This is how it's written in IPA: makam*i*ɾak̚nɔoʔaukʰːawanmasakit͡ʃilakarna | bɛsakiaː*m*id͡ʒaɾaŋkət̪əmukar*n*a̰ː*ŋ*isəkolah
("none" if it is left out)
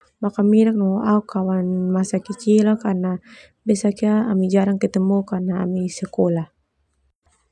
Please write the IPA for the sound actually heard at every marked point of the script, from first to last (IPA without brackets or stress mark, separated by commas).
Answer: i, m, n, m